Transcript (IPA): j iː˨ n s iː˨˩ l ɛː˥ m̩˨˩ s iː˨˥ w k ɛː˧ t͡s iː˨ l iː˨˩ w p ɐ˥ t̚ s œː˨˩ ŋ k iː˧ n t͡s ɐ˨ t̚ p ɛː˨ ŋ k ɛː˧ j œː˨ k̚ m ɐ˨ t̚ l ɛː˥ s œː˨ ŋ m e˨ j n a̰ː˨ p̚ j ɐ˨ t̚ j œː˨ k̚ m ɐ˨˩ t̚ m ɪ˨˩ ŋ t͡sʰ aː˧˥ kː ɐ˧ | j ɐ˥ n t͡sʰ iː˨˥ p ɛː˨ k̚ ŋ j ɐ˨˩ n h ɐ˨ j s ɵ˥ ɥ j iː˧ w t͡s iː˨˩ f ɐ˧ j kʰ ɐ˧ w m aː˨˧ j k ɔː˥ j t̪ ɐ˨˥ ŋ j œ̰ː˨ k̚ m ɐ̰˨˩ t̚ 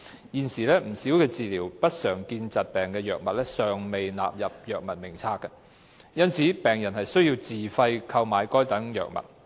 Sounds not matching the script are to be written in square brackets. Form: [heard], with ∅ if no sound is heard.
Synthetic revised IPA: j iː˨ n s iː˨˩ l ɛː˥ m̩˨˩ s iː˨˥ w k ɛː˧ t͡s iː˨ l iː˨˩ w p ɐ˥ t̚ s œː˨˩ ŋ k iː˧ n t͡s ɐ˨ t̚ p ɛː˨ ŋ k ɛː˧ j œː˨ k̚ m ɐ˨ t̚ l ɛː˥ s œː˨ ŋ m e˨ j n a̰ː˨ p̚ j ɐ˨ [p̚] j œː˨ k̚ m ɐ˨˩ t̚ m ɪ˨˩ ŋ t͡sʰ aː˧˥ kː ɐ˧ | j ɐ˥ n t͡sʰ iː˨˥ p ɛː˨ [∅] ŋ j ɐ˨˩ n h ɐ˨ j s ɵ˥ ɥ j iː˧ w t͡s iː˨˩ f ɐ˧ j kʰ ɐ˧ w m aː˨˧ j k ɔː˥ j t̪ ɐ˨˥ ŋ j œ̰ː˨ k̚ m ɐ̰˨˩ t̚